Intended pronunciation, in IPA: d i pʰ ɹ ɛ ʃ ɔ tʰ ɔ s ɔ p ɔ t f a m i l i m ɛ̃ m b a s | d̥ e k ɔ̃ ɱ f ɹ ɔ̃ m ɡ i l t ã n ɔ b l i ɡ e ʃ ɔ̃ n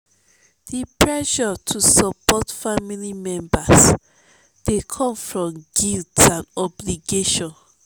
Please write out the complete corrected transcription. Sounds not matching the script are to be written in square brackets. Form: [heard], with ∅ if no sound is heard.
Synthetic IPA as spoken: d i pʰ ɹ ɛ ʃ ɔ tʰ [u] s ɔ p ɔ t f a m i l i m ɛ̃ m b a s | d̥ e [kʰ] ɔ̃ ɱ f ɹ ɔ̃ m ɡ i l t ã n ɔ b l i ɡ e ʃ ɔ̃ n